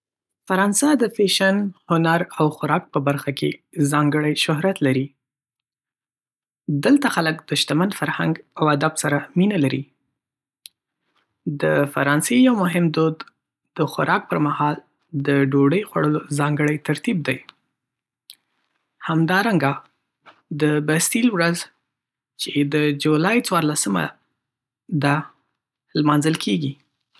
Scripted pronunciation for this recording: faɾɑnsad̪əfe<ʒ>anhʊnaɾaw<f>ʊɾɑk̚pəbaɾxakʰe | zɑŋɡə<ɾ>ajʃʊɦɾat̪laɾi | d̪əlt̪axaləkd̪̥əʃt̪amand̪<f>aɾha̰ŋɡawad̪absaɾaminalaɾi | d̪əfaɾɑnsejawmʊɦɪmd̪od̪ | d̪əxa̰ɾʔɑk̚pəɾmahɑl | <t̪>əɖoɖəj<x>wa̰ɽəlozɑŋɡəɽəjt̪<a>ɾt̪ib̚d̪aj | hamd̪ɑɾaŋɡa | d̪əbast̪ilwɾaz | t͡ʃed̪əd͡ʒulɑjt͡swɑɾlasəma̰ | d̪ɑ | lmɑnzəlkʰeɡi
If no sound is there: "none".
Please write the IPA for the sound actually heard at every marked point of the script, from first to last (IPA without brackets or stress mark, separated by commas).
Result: ʃ, x, ɽ, f, d̪, x, a